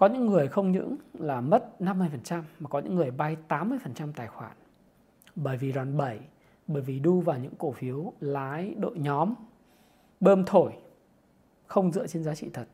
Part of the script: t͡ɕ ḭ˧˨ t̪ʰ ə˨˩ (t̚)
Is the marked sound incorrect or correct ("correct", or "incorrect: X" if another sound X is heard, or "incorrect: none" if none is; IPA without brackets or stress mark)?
correct